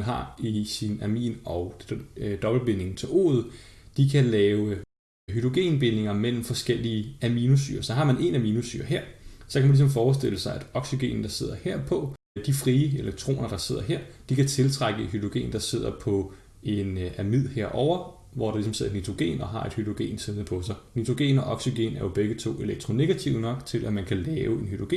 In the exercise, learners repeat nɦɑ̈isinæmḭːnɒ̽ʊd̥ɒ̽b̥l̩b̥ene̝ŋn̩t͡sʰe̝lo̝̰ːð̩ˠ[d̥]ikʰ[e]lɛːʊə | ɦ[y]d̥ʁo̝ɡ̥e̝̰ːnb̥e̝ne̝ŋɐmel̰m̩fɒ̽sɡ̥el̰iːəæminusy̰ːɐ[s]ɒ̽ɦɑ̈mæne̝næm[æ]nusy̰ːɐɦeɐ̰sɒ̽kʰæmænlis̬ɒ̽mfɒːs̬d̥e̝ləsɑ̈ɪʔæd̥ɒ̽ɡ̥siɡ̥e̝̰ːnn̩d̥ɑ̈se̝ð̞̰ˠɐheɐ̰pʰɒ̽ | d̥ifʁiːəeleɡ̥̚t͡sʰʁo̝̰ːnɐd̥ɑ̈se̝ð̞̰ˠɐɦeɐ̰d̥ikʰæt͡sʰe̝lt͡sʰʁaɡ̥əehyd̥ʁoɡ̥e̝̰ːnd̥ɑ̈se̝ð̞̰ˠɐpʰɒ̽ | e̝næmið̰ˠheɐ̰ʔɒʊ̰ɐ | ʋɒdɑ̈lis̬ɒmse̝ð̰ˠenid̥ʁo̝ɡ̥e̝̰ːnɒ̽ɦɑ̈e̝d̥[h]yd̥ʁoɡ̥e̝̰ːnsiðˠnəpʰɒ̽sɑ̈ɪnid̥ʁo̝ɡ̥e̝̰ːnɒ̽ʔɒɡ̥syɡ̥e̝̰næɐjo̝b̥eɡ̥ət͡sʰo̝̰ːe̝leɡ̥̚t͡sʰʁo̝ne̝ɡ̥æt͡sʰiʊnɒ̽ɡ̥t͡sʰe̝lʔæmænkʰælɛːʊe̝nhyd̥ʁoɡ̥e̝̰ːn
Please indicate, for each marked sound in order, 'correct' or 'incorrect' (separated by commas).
correct, incorrect, correct, correct, incorrect, correct